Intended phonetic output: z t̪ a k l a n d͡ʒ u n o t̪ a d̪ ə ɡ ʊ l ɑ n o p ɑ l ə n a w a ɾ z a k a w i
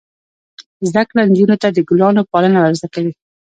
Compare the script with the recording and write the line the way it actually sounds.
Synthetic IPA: z d̪ a k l a n d͡ʒ u n o t̪ a d̪ ə ɡ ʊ l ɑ n o p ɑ l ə n a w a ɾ z a k a w i